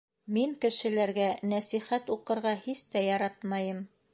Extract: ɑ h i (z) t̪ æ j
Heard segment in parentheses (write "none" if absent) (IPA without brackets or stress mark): s